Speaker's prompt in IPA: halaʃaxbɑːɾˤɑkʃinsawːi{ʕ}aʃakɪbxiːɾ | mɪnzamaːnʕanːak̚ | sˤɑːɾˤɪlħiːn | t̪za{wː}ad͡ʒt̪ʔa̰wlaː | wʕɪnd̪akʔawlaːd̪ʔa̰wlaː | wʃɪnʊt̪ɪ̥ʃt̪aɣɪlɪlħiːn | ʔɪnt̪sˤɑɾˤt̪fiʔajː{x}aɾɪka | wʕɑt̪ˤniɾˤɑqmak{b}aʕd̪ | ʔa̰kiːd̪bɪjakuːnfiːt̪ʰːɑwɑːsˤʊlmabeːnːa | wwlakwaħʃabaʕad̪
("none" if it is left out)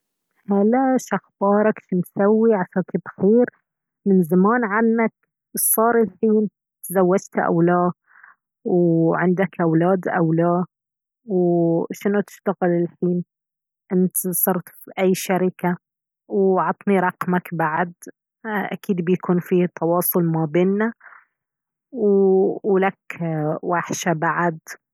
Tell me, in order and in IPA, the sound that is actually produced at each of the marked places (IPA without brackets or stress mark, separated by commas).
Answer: ʕ, wː, ʃ, b